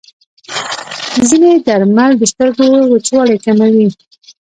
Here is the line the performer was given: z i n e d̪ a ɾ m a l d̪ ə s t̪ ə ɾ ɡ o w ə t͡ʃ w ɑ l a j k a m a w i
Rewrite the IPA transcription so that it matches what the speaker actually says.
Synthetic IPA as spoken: z i n e d̪ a ɾ m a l d̪ ə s t̪ ə ɾ ɡ o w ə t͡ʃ w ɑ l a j k a m a w i